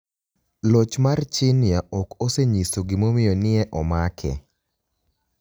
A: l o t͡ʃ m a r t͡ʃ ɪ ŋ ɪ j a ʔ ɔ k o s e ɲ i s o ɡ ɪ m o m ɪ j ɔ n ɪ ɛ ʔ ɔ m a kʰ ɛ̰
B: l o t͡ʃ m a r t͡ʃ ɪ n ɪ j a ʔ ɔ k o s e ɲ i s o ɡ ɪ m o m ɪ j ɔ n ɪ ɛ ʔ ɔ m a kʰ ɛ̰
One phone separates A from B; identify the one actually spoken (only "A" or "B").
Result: B